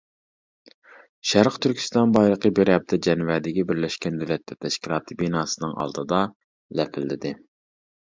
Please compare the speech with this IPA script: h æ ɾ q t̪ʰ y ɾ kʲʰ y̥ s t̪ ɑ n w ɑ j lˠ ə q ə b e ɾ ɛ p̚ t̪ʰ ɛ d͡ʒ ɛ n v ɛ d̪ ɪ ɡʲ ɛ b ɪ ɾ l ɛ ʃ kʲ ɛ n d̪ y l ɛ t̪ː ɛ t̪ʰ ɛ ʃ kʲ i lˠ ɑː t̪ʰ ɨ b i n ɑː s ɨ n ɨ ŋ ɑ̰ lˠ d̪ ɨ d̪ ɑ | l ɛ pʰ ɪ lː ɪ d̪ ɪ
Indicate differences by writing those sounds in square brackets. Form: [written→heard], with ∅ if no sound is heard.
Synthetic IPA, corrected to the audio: [h→ʃ] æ ɾ q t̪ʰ y ɾ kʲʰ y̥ s t̪ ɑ n [w→b] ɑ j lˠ ə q ə b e ɾ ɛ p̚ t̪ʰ ɛ d͡ʒ ɛ n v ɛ d̪ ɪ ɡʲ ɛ b ɪ ɾ l ɛ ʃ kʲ ɛ n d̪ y l ɛ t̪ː ɛ t̪ʰ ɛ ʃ kʲ i lˠ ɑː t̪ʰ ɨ b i n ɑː s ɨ n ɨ ŋ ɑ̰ lˠ d̪ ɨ d̪ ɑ | l ɛ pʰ ɪ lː ɪ d̪ ɪ